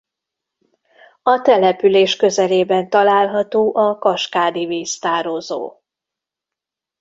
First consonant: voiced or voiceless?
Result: voiceless